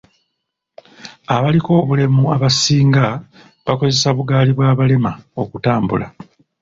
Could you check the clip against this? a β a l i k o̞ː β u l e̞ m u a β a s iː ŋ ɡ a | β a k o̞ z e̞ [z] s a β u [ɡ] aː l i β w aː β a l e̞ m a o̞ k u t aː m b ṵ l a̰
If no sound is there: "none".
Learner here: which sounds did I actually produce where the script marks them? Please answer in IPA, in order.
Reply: none, ɡ

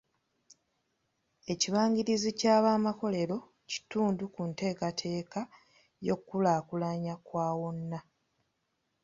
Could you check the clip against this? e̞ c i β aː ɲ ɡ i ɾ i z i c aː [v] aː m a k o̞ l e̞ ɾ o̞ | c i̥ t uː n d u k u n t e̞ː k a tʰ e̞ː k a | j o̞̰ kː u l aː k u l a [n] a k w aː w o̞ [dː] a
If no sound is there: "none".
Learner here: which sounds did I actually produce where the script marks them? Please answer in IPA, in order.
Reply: β, ɲ, nː

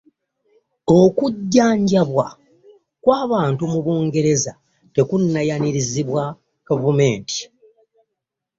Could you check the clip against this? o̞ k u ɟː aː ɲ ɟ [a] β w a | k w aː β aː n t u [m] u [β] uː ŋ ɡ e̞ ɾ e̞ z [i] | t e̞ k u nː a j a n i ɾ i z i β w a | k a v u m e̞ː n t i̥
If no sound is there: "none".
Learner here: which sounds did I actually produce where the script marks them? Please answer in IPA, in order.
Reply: a, m, β, a

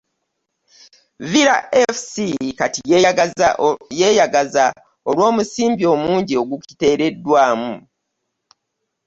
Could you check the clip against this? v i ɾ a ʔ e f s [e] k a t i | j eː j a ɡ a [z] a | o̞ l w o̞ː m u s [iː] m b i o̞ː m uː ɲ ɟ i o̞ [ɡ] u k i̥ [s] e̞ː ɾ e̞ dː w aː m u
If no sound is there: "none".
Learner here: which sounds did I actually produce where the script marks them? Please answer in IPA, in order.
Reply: i, z, iː, ɡ, t

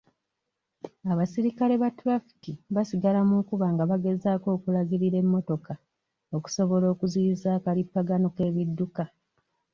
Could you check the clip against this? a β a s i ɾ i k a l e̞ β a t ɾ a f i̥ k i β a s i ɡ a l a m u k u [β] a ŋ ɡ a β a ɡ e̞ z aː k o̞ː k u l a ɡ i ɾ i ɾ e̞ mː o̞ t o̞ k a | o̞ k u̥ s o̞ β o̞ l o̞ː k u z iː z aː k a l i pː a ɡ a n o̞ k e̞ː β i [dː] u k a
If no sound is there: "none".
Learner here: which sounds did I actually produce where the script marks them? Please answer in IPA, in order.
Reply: β, dː

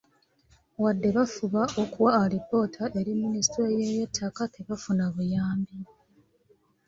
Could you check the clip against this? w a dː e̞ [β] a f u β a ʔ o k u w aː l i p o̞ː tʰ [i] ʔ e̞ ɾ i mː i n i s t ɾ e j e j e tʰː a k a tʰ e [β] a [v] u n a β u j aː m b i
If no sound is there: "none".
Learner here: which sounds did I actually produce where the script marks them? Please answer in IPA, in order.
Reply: β, a, β, f

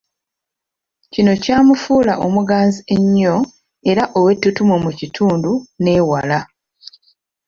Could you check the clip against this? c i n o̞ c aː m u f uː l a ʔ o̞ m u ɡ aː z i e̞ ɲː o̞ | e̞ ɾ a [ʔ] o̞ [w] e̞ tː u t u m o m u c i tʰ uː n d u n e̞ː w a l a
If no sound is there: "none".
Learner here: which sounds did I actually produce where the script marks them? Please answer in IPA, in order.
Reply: ʔ, w

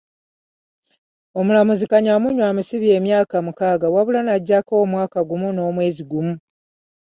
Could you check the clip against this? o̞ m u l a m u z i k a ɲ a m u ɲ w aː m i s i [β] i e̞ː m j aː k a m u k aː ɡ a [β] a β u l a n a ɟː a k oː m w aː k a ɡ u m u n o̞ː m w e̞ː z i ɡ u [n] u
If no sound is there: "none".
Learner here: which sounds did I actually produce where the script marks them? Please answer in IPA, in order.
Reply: β, w, m

